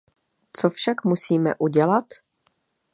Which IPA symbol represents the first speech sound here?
t͡s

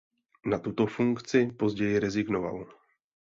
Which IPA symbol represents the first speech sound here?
n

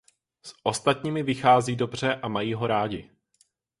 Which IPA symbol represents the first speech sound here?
s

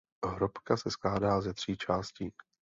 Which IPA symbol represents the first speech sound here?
ɦ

